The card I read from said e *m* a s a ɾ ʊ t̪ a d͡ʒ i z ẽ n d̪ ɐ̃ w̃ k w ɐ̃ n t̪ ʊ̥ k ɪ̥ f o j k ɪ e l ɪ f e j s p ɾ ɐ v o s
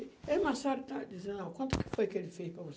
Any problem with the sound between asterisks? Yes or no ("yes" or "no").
no